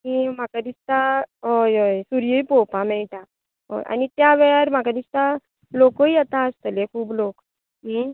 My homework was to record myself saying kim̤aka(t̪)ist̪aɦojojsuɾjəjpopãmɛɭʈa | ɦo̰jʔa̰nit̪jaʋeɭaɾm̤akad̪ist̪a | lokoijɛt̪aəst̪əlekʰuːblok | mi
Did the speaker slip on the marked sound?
yes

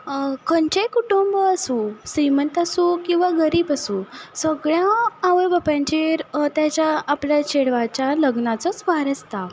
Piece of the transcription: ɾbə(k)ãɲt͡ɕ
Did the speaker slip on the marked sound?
yes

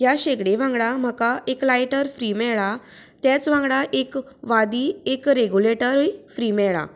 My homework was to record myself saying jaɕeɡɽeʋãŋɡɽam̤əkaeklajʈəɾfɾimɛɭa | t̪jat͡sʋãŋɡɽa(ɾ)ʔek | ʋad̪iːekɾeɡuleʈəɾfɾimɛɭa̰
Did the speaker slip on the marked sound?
yes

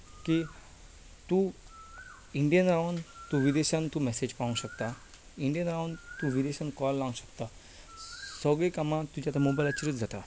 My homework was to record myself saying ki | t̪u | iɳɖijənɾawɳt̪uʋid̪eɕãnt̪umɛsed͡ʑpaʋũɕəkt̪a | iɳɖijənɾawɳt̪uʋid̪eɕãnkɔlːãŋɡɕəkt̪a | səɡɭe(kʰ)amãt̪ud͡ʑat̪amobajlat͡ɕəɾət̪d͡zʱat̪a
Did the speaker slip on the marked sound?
yes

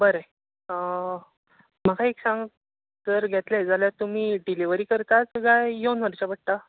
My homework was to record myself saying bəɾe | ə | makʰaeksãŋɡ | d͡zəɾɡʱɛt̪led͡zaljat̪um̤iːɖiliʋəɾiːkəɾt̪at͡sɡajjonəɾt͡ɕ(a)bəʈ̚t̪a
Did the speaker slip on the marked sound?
no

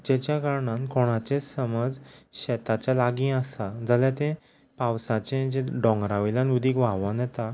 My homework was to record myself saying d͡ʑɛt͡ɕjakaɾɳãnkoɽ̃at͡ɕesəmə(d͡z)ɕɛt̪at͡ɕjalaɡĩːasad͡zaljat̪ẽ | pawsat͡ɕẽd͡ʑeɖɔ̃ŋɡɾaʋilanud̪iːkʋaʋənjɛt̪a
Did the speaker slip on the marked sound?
no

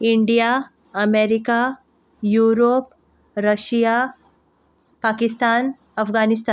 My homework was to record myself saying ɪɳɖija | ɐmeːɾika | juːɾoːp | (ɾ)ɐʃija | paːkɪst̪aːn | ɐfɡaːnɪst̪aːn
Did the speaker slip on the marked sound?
no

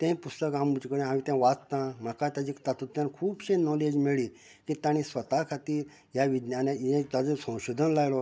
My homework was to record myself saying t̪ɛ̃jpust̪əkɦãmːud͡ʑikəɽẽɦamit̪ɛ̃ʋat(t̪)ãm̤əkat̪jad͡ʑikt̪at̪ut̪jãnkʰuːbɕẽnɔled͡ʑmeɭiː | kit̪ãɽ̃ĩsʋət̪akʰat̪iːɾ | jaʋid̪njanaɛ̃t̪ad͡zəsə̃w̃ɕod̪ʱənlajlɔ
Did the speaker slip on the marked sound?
no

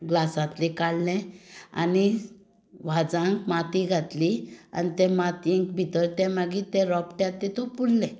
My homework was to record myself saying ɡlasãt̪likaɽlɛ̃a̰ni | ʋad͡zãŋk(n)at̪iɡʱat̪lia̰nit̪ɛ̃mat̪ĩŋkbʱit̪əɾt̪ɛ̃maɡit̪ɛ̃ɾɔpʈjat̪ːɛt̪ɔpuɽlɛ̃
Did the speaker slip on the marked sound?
yes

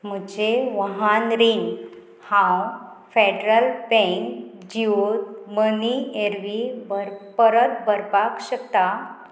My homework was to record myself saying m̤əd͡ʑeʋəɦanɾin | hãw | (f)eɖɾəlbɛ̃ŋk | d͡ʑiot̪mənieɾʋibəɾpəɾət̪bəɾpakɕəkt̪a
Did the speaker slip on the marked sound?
no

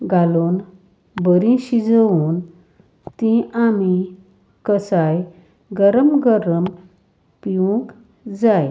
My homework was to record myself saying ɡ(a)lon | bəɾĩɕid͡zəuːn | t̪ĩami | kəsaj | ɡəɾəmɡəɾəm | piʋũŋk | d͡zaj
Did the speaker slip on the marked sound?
no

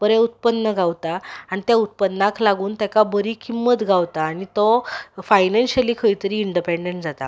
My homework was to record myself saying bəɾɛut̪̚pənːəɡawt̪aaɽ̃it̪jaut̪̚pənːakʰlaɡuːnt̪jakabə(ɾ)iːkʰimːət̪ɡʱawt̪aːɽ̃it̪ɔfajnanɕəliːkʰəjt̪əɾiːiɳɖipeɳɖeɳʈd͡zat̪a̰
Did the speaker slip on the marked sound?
no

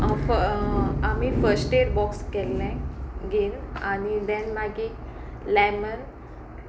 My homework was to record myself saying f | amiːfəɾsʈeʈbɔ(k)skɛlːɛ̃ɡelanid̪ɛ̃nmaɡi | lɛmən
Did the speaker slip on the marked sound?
no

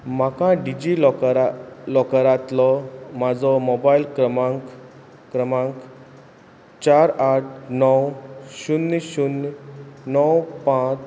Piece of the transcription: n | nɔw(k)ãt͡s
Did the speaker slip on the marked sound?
yes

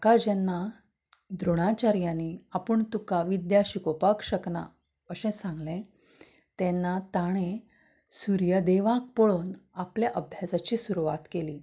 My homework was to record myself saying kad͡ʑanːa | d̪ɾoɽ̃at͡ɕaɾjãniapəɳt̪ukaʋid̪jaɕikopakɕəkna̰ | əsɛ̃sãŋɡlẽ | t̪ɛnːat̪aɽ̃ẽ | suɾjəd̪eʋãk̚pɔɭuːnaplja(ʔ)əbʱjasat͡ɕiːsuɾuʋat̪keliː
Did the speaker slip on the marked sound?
no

